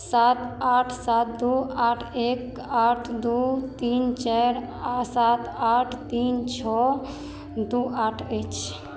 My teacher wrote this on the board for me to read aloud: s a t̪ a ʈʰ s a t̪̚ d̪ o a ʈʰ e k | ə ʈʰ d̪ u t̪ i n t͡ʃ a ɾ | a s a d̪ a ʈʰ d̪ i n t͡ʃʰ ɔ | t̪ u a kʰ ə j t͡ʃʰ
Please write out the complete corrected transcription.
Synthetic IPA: s a t̪ a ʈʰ s a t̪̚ d̪ u a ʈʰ e k | a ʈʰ d̪ u t̪ i n t͡ʃ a ɾ | a s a t̪ a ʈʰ t̪ i n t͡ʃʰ ɔ | d̪ u a ʈʰ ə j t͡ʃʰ

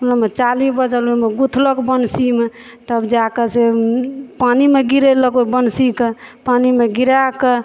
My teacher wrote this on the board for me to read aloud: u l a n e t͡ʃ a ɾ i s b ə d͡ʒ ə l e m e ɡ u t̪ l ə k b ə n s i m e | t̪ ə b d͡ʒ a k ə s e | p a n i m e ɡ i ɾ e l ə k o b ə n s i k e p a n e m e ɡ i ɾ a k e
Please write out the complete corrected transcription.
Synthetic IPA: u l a m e t͡ʃ a l i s b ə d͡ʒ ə l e m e ɡ u t̪ʰ l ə k b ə n s i m e | t̪ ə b d͡ʒ a k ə s e | p a n i m e ɡ i ɾ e l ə k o b ə n s i k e p a n i m e ɡ i ɾ a k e

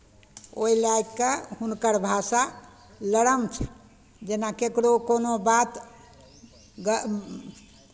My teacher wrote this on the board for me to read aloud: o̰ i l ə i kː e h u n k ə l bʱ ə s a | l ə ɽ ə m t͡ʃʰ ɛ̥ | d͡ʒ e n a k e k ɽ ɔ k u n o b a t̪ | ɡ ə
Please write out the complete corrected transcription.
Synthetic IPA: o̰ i l a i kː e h u n k ə ɾ bʱ a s a | l ə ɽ ə m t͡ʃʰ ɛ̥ | d͡ʒ e n a k e k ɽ o k o n o b a t̪ | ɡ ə

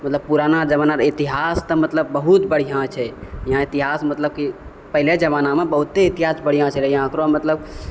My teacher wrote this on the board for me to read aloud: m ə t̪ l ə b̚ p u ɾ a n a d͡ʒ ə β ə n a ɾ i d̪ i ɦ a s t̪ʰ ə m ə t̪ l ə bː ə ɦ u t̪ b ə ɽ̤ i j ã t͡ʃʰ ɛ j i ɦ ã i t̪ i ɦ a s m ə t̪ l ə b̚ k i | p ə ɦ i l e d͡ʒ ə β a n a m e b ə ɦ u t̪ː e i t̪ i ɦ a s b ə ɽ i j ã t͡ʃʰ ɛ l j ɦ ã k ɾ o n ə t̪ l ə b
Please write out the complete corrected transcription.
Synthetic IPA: m ə t̪ l ə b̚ p u ɾ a n a d͡ʒ ə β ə n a ɾ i t̪ i ɦ a s t̪ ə m ə t̪ l ə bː ə ɦ u t̪ b ə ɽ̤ i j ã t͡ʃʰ ɛ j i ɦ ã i t̪ i ɦ a s m ə t̪ l ə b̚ k i | p ə ɦ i l e d͡ʒ ə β a n a m e b ə ɦ u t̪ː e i t̪ i ɦ a s b ə ɽ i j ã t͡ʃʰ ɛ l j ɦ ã k ɾ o m ə t̪ l ə b

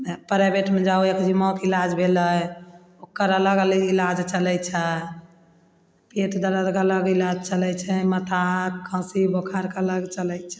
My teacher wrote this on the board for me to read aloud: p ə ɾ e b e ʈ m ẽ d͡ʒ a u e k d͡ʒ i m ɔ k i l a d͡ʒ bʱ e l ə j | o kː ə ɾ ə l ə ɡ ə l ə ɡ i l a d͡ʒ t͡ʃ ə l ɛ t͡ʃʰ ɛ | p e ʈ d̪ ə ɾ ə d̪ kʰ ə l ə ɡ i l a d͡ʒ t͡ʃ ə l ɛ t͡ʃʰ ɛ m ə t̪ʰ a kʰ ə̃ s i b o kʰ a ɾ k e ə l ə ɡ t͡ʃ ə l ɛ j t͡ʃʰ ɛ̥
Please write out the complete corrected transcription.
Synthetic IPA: p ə ɾ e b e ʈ m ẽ d͡ʒ a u e k d͡ʒ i m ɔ k i l a d͡ʒ bʱ e l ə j | o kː ə ɾ ə l ə ɡ ə l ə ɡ i l a d͡ʒ t͡ʃ ə l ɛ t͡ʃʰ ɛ | p e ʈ d̪ ə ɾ ə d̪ k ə l ə ɡ i l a d͡ʒ t͡ʃ ə l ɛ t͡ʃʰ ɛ m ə t̪ʰ a kʰ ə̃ s i b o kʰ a ɾ k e ə l ə ɡ t͡ʃ ə l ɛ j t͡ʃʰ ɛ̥

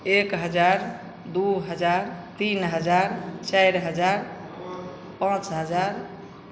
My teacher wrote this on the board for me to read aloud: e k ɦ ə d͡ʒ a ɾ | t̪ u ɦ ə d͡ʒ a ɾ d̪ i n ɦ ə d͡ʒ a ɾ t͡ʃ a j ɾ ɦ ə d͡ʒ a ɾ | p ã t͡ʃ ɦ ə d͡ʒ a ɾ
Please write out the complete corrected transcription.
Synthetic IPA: e k ɦ ə d͡ʒ a ɾ | d̪ u ɦ ə d͡ʒ a ɾ t̪ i n ɦ ə d͡ʒ a ɾ t͡ʃ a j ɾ ɦ ə d͡ʒ a ɾ | p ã t͡ʃ ɦ ə d͡ʒ a ɾ

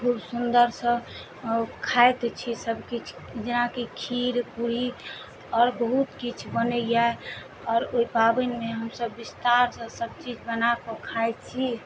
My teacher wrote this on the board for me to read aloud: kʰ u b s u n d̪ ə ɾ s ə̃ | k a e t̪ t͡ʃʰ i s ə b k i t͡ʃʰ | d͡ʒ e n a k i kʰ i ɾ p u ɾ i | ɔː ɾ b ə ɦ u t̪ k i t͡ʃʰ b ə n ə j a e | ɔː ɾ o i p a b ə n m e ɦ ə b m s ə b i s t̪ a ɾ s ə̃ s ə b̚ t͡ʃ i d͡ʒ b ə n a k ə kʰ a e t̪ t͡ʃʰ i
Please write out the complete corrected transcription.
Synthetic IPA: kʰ u b s u n d̪ ə ɾ s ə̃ | kʰ a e t̪ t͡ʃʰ i s ə b k i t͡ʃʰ | d͡ʒ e n a k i kʰ i ɾ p u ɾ i | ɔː ɾ b ə ɦ u t̪ k i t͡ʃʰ b ə n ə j a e | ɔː ɾ o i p a b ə n m e ɦ ə m s ə bː i s t̪ a ɾ s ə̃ s ə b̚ t͡ʃ i d͡ʒ b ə n a k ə kʰ a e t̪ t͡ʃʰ i

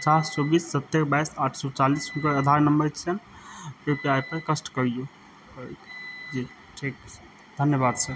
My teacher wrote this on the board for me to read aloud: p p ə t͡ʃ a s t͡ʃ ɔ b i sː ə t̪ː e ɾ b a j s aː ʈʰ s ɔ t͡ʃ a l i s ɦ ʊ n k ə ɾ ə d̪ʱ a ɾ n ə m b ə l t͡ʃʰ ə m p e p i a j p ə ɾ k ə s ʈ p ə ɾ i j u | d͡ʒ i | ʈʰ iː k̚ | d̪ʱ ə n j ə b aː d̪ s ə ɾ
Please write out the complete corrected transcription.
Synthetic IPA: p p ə t͡ʃ a s t͡ʃ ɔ b i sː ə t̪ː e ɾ b a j s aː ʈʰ s ɔ t͡ʃ a l i s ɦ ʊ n k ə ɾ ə d̪ʱ a ɾ n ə m b ə ɾ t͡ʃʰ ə n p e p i a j p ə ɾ k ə s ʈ k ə ɾ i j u | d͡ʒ i | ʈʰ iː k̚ | d̪ʱ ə n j ə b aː d̪ s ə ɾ

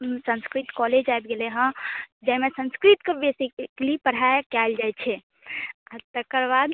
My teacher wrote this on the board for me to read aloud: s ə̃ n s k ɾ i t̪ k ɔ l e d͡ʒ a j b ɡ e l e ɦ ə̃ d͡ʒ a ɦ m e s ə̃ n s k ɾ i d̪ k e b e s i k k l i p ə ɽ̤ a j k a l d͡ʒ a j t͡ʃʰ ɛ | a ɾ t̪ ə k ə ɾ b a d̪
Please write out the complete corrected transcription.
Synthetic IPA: s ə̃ n s k ɾ i t̪ k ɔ l e d͡ʒ a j b ɡ e l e ɦ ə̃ d͡ʒ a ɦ m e s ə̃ n s k ɾ i t̪ k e b e s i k k l i p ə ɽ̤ a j k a l d͡ʒ a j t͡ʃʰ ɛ | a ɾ t̪ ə k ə ɾ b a d̪

